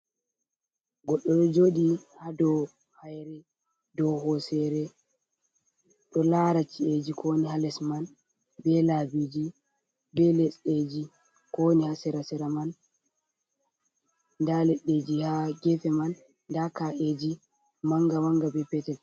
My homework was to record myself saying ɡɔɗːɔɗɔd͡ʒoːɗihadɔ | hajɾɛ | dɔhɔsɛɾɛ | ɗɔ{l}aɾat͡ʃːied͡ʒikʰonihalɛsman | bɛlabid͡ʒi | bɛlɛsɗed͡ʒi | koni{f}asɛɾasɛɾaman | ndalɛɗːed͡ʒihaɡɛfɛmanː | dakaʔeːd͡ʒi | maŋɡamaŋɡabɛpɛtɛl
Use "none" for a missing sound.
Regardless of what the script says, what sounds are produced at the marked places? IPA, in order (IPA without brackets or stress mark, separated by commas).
l, h